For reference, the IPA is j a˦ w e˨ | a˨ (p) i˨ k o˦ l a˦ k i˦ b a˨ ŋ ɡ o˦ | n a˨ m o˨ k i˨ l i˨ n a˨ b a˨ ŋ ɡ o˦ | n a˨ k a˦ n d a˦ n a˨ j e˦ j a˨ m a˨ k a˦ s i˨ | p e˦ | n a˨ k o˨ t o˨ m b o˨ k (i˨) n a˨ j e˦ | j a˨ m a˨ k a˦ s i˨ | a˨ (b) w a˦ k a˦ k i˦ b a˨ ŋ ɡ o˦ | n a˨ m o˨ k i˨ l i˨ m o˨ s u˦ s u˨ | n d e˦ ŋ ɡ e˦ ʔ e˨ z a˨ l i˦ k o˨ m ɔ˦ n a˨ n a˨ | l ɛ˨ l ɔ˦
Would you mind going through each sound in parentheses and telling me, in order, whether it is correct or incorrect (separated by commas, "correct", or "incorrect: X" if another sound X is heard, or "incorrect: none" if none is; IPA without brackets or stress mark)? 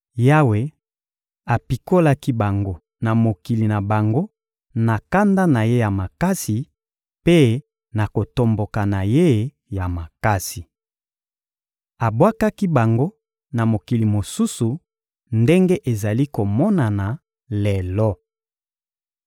correct, incorrect: a˨, correct